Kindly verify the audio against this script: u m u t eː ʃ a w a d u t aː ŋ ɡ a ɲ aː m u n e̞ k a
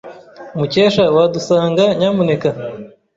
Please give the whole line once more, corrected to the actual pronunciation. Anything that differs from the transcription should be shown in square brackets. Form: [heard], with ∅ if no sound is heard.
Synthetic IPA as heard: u m u [c] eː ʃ a w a d u [s] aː ŋ ɡ a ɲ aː m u n e̞ k a